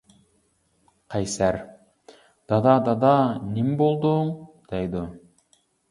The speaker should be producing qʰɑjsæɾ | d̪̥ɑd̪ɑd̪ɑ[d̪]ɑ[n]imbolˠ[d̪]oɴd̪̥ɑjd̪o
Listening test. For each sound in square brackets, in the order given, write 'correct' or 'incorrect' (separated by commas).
correct, correct, correct